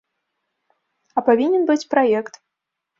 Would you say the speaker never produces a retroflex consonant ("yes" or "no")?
yes